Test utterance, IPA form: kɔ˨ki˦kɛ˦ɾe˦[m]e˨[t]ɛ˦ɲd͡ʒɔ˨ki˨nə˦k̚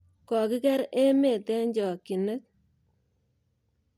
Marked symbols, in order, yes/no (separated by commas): yes, yes